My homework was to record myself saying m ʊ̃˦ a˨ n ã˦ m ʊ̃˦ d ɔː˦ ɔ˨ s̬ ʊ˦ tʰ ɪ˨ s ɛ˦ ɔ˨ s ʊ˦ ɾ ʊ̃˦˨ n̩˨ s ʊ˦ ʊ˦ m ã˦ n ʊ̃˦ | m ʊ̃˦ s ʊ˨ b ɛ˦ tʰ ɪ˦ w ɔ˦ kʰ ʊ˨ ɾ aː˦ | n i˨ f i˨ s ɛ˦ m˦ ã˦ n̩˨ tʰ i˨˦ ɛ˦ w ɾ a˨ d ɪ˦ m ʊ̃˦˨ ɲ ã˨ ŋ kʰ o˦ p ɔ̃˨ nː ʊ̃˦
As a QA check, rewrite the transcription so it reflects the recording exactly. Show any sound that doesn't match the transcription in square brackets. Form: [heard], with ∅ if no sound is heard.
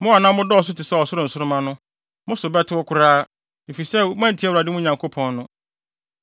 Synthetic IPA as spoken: m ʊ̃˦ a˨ n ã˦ m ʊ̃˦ d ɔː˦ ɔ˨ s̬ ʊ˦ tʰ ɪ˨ s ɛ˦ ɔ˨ s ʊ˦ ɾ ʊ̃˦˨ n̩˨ s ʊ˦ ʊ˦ m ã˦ n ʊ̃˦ | m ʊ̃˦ s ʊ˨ b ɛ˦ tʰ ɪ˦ w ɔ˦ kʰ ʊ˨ ɾ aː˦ | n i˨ f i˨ s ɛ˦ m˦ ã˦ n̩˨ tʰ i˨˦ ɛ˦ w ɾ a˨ d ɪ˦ m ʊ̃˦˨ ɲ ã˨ ŋ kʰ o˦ [pʰ] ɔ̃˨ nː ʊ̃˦